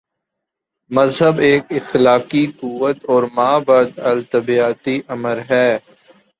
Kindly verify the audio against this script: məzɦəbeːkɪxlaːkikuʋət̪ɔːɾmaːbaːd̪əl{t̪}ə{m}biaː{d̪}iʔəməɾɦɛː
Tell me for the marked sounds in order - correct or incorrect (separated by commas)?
correct, incorrect, incorrect